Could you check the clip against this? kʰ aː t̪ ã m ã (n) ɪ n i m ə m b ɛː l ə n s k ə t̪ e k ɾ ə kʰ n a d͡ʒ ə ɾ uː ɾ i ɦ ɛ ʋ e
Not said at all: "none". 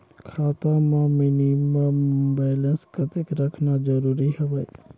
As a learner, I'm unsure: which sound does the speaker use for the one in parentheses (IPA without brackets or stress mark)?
m